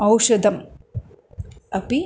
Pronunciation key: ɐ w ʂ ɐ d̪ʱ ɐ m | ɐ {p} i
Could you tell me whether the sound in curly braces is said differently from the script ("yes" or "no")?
no